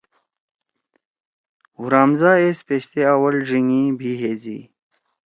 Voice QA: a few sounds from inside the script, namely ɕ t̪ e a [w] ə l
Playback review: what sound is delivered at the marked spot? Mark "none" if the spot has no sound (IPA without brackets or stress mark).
w